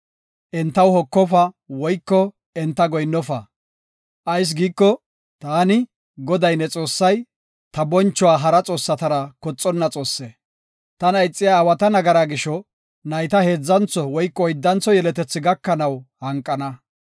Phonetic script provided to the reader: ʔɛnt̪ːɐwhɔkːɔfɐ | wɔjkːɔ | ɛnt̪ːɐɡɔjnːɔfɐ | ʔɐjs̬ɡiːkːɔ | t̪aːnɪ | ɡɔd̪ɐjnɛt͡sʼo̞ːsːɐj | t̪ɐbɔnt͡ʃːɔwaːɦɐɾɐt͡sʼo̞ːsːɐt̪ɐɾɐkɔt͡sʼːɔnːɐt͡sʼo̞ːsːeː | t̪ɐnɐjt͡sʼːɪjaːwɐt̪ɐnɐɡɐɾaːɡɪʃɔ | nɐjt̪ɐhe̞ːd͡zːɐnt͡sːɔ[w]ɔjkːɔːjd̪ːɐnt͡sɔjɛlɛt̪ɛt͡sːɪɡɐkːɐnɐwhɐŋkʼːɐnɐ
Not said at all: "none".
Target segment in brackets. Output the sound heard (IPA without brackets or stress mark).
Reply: w